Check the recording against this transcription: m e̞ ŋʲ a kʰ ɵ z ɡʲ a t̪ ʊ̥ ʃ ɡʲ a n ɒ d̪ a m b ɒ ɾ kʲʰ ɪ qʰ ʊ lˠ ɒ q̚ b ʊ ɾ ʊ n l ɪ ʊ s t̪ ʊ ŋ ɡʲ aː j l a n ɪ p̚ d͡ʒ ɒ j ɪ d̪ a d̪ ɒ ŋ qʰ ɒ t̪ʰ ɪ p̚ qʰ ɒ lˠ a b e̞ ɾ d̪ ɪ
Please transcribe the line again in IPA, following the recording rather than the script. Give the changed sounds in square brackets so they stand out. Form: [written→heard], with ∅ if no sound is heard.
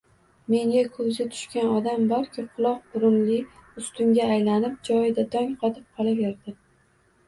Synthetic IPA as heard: m e̞ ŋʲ a kʰ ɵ z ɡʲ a [t̪→t̪ʰ] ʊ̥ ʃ [ɡʲ→kʲ] a n ɒ d̪ a m b ɒ ɾ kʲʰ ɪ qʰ ʊ lˠ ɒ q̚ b ʊ ɾ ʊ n l ɪ ʊ s t̪ ʊ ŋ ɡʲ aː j l a n ɪ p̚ d͡ʒ ɒ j ɪ d̪ a d̪ ɒ ŋ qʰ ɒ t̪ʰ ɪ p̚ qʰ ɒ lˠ a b e̞ ɾ d̪ ɪ